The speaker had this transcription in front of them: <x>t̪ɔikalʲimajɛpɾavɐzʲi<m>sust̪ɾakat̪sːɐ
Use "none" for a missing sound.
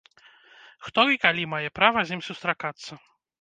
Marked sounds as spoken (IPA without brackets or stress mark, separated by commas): x, m